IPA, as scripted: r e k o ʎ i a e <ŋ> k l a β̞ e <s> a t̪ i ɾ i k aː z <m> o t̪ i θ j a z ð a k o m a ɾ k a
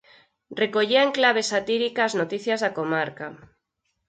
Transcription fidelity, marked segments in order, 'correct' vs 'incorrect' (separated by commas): correct, correct, incorrect